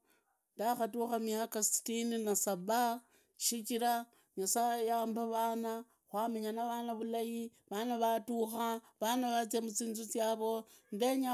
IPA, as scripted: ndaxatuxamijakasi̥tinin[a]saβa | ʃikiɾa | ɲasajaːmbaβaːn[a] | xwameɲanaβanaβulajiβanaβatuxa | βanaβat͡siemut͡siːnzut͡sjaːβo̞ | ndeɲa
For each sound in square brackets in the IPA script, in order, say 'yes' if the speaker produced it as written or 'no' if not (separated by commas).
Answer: yes, yes